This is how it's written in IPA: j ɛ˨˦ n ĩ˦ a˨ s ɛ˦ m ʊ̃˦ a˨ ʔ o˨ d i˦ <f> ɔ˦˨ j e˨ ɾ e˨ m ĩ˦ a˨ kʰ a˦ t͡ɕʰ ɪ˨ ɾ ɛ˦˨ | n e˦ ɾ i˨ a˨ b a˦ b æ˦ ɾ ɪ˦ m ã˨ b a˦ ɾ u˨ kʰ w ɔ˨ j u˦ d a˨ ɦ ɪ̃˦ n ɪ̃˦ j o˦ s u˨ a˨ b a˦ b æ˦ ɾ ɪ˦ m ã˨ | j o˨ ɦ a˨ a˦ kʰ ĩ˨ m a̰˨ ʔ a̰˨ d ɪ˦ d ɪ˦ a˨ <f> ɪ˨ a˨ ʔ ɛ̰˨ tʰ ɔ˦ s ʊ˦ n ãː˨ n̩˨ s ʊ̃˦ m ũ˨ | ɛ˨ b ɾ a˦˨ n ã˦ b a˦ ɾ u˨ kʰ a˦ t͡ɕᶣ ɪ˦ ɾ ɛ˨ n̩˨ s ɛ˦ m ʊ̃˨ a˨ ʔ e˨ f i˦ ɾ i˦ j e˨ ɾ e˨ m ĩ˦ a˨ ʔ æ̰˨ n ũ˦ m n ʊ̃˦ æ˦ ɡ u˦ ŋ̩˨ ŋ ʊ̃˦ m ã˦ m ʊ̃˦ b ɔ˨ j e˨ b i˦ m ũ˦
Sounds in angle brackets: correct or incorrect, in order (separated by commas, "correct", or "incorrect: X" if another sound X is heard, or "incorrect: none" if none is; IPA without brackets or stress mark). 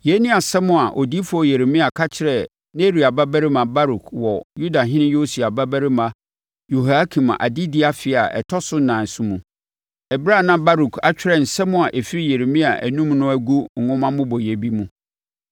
correct, correct